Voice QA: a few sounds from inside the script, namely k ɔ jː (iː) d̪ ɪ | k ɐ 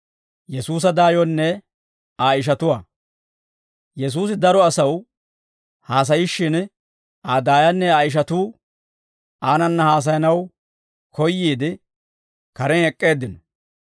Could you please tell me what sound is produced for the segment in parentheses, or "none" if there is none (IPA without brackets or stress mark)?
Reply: iː